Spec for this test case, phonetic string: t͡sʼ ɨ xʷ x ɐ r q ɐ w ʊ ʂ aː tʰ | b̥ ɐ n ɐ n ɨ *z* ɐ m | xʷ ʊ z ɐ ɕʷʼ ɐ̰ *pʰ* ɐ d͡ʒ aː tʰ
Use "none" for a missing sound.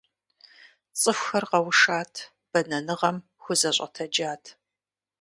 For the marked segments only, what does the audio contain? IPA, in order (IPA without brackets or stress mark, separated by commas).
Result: ʁ, tʰ